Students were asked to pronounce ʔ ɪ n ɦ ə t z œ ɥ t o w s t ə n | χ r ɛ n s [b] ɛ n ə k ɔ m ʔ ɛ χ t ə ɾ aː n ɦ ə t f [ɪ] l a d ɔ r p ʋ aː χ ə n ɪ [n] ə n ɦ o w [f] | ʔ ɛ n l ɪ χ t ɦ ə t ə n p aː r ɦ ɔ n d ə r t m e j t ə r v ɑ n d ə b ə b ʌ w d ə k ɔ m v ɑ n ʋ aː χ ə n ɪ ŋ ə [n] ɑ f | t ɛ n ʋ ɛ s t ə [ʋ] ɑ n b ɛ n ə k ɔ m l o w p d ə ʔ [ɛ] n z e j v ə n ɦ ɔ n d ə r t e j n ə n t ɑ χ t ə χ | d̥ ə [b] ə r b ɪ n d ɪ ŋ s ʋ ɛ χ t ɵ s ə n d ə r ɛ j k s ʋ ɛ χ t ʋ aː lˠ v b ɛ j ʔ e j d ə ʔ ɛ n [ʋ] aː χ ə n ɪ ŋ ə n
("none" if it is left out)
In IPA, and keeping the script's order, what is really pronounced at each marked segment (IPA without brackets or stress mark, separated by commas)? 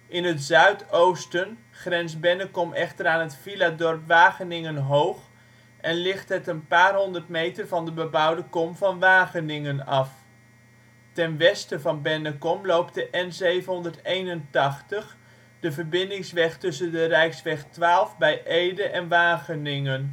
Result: b, i, ŋ, χ, n, v, ɛ, v, ʋ